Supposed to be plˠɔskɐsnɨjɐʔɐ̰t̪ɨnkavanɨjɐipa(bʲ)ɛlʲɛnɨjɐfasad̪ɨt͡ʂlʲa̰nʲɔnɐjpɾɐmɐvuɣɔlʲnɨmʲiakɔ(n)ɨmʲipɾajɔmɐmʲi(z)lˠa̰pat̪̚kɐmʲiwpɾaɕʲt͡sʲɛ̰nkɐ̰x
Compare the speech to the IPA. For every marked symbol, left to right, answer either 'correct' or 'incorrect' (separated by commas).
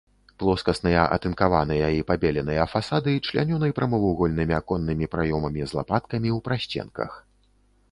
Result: correct, incorrect, correct